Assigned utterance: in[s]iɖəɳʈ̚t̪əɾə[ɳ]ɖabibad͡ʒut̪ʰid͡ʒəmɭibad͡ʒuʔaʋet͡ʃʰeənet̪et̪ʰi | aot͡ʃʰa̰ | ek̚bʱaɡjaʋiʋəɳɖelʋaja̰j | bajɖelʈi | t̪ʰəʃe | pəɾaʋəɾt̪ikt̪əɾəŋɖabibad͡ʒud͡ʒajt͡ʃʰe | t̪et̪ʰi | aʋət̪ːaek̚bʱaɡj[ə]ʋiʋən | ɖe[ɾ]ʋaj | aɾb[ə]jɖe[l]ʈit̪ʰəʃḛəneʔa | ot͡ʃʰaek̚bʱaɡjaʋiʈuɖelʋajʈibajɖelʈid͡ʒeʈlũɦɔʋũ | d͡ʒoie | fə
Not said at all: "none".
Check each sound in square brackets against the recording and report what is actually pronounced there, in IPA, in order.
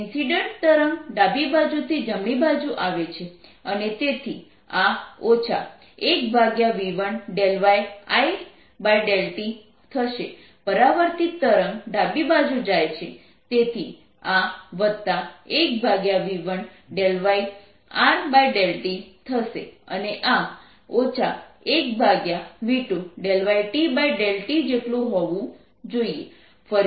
s, ŋ, a, l, a, l

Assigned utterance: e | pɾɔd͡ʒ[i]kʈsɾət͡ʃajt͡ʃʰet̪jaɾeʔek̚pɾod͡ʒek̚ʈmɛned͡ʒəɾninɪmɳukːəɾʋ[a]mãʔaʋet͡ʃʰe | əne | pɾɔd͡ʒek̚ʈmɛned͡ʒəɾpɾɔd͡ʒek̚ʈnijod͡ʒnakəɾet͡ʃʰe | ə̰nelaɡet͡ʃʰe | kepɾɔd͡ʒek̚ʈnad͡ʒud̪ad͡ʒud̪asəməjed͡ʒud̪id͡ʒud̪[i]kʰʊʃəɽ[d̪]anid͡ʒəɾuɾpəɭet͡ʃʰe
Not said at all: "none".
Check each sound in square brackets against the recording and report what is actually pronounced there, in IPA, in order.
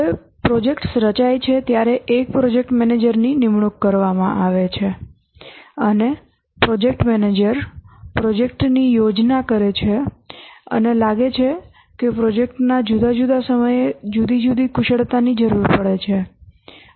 e, a, i, t̪

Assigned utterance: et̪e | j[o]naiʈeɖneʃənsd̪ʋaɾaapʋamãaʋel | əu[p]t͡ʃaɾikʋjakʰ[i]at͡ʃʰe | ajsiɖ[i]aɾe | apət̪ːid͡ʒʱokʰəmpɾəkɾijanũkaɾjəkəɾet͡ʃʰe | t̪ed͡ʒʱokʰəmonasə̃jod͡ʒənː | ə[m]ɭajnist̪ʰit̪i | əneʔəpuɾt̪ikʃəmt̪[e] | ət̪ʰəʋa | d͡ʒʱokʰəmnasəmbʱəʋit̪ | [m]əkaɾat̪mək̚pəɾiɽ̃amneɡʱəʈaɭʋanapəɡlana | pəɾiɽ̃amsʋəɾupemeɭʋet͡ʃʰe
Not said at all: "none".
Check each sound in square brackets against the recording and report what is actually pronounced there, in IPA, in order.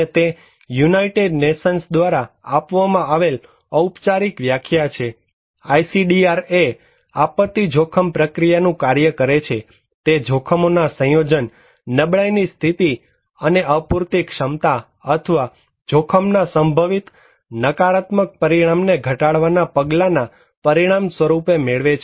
u, p, j, i, b, a, n

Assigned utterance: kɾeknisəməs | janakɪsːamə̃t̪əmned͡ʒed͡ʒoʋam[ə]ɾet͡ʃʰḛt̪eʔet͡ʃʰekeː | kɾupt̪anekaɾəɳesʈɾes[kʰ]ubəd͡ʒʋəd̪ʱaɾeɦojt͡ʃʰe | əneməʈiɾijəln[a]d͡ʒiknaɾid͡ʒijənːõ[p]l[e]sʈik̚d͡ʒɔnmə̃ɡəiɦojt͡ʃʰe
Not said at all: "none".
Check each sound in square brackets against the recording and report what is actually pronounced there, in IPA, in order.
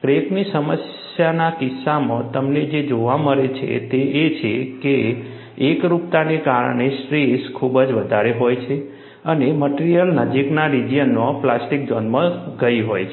ə, kʰ, ə, p, a

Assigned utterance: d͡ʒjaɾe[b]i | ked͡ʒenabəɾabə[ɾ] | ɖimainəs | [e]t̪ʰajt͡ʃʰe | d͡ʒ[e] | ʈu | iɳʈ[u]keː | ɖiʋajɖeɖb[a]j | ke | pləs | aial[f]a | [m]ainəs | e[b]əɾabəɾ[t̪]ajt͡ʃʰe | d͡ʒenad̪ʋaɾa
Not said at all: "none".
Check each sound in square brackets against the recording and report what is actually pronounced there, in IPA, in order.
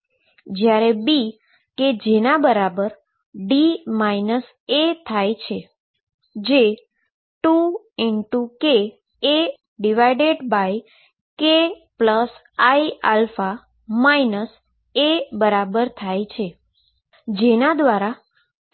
b, ɾ, e, e, u, a, f, m, b, t̪ʰ

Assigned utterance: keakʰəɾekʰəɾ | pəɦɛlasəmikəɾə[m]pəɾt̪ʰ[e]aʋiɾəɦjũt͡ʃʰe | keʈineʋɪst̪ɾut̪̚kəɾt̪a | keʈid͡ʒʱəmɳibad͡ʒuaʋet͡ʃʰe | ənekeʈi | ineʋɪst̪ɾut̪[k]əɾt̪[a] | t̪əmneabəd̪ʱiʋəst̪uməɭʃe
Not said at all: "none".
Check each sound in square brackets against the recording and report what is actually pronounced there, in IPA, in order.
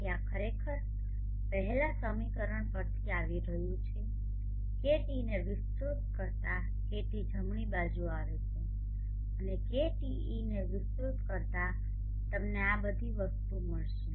ɳ, i, k, a

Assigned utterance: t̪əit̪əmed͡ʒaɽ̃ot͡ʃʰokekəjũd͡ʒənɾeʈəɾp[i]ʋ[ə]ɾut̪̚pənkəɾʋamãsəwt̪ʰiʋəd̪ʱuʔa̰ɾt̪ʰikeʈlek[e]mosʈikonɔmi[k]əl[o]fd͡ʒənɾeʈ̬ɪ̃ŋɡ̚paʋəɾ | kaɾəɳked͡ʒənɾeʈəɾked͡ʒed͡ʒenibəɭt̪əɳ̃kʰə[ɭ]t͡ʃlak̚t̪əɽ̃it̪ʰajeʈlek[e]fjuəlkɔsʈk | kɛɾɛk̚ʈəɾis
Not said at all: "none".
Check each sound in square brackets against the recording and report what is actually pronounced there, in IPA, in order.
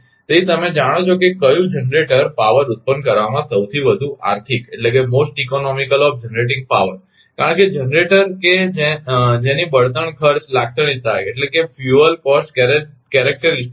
a, ə, e, k, ɔ, ɾ, e

